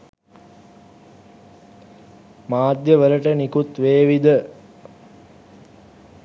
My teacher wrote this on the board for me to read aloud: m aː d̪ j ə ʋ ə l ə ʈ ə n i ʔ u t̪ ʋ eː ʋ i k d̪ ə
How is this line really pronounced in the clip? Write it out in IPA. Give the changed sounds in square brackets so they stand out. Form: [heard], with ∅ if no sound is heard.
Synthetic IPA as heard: m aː d̪ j ə ʋ ə l ə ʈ ə n i [k] u t̪ ʋ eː ʋ i [∅] d̪ ə